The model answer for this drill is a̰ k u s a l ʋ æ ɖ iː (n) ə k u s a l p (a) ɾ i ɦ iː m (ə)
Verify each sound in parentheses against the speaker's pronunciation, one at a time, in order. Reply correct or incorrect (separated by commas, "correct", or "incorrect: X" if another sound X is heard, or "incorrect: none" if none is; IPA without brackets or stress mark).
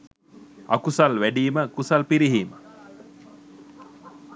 incorrect: m, incorrect: i, correct